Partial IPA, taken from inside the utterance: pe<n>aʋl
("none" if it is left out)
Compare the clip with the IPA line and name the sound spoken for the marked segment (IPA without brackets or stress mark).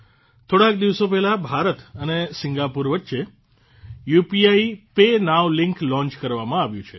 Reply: n